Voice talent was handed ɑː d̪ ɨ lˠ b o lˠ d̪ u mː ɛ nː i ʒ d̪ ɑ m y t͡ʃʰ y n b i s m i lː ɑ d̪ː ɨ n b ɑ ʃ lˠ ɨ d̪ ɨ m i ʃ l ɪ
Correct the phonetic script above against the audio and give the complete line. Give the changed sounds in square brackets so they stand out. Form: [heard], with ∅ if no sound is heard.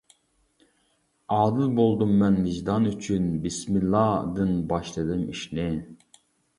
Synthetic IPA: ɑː d̪ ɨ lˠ b o lˠ d̪ u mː ɛ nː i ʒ d̪ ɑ [n] y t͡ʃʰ y n b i s m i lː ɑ [d̪] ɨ n b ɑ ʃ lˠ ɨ d̪ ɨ m i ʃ l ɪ